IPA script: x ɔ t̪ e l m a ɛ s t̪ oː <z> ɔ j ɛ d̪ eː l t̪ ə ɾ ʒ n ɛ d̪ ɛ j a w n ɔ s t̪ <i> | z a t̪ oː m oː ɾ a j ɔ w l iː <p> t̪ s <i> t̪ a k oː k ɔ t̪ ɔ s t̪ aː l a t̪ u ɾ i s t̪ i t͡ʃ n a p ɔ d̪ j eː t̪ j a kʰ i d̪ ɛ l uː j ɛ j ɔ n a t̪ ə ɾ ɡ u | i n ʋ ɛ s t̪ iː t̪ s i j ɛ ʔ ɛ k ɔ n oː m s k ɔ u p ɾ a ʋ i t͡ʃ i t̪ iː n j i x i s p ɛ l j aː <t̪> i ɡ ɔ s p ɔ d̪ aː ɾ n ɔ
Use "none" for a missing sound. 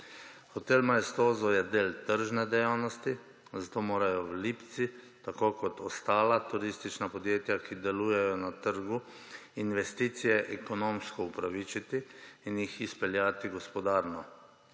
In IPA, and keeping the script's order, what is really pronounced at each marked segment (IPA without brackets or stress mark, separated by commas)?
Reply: z, i, p, i, t̪